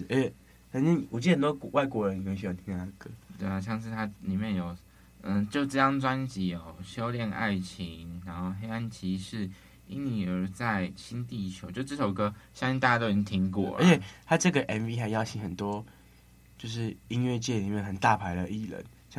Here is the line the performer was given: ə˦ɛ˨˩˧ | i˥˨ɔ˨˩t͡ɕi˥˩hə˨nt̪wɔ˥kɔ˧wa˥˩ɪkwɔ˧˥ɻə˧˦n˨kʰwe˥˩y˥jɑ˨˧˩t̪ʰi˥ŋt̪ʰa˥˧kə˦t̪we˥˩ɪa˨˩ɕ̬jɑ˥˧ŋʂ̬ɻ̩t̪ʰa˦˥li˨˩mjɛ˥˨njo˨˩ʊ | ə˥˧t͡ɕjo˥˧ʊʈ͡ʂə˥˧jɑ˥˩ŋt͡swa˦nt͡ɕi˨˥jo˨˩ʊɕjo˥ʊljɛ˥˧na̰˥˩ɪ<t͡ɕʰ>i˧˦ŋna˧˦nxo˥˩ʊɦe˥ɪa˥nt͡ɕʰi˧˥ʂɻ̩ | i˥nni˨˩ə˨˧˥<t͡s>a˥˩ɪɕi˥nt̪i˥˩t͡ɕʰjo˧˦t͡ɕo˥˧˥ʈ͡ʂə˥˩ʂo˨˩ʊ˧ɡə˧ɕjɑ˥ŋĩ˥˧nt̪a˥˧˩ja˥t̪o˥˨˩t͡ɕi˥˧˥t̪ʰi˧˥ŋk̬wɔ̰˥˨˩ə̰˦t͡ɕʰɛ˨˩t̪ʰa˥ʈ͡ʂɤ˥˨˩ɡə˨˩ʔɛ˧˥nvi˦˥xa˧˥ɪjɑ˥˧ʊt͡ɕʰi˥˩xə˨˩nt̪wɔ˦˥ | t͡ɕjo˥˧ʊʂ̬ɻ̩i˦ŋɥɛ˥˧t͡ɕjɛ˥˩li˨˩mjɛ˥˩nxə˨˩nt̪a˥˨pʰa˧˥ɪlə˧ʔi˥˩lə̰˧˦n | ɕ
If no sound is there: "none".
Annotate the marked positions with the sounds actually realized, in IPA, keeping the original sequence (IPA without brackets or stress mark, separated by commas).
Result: t͡ɕʰ, t͡s